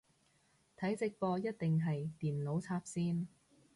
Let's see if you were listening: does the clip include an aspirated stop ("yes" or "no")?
yes